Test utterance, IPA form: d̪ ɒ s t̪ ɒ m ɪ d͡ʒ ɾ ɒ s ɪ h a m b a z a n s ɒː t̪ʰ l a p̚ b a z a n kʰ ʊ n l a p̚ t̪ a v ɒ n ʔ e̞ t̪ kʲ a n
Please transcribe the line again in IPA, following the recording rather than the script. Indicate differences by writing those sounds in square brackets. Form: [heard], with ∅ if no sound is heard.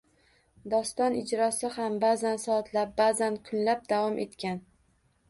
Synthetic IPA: d̪ ɒ s t̪ ɒ [n] ɪ d͡ʒ ɾ ɒ s ɪ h a m b a z a n s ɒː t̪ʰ l a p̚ b a z a n kʰ ʊ n l a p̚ [d̪] a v ɒ [m] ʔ e̞ t̪ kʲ a n